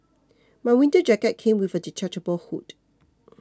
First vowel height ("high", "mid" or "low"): low